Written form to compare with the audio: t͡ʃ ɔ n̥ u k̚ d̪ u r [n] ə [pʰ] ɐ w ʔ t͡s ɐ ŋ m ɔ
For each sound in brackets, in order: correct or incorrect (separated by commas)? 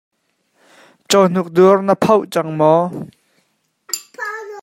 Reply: correct, correct